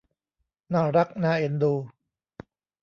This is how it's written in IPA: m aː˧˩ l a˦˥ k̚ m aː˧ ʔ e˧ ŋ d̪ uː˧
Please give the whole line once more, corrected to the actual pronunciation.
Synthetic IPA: n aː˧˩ ɾ a˦˥ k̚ n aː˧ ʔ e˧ n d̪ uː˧